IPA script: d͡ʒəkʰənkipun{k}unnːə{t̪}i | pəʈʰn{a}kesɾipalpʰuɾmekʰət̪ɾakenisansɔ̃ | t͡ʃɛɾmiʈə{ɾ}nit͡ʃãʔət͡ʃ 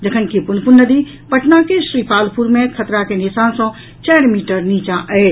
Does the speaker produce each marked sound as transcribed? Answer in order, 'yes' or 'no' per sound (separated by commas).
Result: no, no, yes, yes